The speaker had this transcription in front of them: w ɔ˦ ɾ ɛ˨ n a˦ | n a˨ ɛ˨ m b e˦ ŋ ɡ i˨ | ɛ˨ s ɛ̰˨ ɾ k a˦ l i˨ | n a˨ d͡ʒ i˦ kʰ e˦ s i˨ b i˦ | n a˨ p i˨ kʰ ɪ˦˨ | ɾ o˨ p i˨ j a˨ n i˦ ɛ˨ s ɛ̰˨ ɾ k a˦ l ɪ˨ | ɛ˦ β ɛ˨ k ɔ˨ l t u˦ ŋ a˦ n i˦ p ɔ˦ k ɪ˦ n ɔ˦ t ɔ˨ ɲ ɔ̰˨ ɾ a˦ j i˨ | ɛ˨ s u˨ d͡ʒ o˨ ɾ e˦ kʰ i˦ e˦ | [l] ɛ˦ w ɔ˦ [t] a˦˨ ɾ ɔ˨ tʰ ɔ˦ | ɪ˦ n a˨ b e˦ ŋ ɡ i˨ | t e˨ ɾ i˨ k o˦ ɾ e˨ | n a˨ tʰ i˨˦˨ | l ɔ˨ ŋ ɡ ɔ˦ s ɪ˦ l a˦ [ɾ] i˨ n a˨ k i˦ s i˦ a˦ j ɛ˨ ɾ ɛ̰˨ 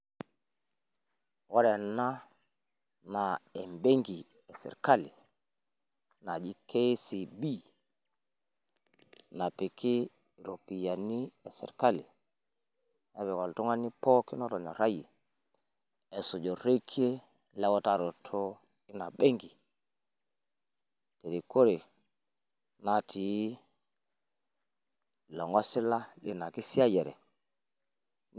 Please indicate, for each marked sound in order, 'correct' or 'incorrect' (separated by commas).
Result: correct, correct, incorrect